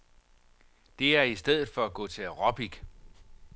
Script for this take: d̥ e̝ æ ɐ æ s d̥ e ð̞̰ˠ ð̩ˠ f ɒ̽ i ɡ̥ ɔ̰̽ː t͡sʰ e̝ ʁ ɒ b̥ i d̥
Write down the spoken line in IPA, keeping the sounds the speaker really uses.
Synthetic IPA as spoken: d̥ e̝ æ ɐ i s d̥ e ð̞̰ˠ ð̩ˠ f ɒ̽ æ ɡ̥ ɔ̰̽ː t͡sʰ e̝ ʁ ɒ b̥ i ɡ̥